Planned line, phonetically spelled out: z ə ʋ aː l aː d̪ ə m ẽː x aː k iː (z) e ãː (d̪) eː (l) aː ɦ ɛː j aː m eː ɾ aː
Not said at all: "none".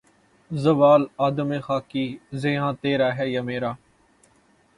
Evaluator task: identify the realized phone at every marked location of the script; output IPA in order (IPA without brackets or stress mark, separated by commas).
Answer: z, t̪, ɾ